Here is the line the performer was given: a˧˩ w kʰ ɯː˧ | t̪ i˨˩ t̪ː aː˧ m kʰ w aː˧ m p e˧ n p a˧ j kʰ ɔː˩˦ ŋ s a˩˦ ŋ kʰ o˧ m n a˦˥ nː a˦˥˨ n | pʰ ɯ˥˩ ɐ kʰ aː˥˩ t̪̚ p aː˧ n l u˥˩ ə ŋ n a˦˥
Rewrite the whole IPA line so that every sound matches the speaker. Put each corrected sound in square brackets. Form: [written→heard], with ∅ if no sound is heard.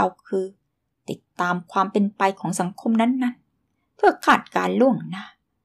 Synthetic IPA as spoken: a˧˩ w kʰ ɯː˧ | t̪ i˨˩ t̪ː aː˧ m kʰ w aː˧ m p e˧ n p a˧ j kʰ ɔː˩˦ ŋ s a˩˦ ŋ kʰ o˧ m n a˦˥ nː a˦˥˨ n | pʰ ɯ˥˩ ɐ kʰ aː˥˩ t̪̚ [p→k] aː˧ n l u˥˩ ə ŋ n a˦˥